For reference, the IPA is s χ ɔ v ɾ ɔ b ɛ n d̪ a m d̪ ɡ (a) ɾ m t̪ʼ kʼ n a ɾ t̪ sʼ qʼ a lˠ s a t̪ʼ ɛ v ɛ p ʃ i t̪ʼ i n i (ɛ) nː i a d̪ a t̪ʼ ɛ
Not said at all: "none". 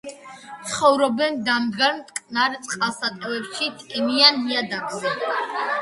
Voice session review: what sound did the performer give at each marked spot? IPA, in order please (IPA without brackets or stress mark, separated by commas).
a, a